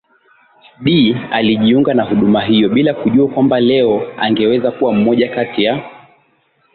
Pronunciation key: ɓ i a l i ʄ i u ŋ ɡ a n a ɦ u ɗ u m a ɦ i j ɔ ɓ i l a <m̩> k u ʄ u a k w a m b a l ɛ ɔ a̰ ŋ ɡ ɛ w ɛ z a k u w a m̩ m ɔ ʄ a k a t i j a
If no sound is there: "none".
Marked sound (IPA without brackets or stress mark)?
none